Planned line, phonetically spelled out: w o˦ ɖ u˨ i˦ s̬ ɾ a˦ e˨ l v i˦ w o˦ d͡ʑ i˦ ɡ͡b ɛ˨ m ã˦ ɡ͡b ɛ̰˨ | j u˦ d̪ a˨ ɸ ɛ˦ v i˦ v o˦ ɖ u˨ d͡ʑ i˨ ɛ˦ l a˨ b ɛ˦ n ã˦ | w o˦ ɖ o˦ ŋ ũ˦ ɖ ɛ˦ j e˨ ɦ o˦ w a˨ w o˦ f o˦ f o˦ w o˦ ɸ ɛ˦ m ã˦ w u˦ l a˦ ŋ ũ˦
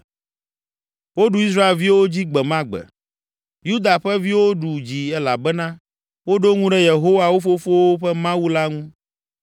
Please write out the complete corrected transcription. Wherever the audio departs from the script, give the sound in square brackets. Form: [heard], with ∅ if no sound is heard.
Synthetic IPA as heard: w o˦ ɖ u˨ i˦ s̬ ɾ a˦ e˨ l v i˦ w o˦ d͡ʑ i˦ ɡ͡b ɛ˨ m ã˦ ɡ͡b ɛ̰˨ | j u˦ d̪ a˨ ɸ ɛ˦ v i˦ [w] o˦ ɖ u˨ d͡ʑ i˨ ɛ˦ l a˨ b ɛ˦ n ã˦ | w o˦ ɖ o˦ ŋ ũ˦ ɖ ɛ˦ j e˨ ɦ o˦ w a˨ w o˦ f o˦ f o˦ w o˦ ɸ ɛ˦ m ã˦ w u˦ l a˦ ŋ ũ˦

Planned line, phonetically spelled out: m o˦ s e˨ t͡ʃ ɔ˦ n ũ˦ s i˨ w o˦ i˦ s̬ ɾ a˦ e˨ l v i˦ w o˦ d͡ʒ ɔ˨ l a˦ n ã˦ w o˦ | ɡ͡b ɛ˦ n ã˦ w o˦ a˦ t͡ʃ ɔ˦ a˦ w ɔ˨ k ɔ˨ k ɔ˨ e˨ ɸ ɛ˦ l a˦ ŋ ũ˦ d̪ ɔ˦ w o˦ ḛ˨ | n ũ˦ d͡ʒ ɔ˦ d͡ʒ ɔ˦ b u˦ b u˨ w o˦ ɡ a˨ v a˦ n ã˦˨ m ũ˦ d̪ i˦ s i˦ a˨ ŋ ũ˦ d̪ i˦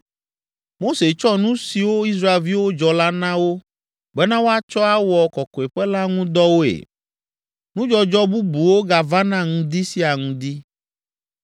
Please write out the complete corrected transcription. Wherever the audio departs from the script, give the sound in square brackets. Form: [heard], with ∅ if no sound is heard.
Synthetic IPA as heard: m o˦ s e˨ t͡ʃ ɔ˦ n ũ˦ s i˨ w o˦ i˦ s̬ ɾ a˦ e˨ l v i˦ w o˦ d͡ʒ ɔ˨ l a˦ n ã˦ w o˦ | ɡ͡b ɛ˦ n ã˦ w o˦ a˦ t͡ʃ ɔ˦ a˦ w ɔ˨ k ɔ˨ k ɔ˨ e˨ ɸ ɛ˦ l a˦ ŋ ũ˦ d̪ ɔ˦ w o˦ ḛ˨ | n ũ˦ d͡ʒ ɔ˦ d͡ʒ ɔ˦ b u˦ b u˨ w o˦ ɡ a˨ v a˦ n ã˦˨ [ŋ] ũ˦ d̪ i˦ s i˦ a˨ ŋ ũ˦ d̪ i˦

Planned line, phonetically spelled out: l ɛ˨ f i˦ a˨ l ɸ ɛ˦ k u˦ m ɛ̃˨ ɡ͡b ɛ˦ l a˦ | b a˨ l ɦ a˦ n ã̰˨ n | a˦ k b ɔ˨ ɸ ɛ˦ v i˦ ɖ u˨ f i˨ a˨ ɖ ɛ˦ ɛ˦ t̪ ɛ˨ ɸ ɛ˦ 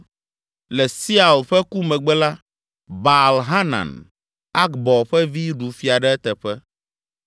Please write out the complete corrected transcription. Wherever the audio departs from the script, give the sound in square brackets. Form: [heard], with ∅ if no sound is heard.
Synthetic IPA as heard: l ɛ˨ [s] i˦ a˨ l ɸ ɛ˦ k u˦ m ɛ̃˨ ɡ͡b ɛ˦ l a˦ | b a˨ l ɦ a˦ n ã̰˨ n | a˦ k b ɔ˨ ɸ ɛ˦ v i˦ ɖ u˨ f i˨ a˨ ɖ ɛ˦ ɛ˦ t̪ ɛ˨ ɸ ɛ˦

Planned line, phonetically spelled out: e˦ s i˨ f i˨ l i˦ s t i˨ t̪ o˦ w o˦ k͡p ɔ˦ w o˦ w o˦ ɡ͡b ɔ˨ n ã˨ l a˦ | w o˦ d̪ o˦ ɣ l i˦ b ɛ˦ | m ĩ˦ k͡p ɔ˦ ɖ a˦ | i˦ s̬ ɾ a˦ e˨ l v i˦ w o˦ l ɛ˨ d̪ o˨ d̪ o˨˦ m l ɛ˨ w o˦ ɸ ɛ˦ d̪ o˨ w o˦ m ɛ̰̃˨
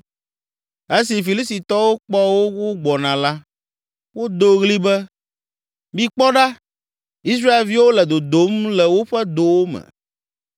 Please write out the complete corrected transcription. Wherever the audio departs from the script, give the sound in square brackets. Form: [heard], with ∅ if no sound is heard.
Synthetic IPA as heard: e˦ s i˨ f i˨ l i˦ s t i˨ t̪ [ɔ˦] w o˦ k͡p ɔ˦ w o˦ w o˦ ɡ͡b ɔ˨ n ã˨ l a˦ | w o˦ d̪ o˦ ɣ l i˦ b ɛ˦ | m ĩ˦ k͡p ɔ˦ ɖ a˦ | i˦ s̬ ɾ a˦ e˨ l v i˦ w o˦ l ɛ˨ d̪ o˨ d̪ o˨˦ m l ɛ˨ w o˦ ɸ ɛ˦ d̪ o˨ w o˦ m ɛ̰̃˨

